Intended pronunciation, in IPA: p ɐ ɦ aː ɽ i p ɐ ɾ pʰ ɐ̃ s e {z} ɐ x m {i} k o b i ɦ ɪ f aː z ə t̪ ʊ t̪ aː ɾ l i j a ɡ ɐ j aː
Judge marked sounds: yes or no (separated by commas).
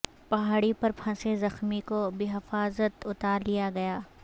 yes, yes